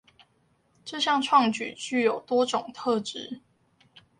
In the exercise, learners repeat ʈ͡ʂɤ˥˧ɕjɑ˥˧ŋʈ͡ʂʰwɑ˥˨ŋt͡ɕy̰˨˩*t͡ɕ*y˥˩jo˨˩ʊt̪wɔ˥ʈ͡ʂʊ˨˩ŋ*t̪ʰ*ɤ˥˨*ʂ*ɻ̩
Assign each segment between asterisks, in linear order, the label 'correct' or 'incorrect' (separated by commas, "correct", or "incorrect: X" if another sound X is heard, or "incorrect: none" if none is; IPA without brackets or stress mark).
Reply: correct, correct, incorrect: ʈ͡ʂ